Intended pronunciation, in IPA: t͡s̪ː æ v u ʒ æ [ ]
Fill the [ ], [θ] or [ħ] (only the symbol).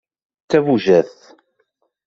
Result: θ